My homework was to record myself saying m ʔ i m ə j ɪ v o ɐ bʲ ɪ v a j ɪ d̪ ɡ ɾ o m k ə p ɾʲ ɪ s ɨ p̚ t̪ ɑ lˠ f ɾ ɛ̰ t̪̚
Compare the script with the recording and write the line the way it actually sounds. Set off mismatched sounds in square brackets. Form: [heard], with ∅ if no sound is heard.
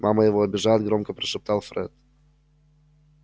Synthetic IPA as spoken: m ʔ [a] m ə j ɪ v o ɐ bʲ ɪ [ʐ] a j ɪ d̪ ɡ ɾ o m k ə p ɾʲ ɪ [ʂ] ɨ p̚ t̪ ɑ lˠ f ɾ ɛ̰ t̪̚